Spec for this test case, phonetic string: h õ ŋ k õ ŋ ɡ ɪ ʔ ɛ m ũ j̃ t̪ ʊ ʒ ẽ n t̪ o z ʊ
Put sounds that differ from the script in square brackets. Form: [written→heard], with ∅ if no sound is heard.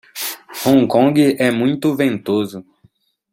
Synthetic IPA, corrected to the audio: h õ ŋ k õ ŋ ɡ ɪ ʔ ɛ m ũ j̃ t̪ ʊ [ʒ→v] ẽ n t̪ o z ʊ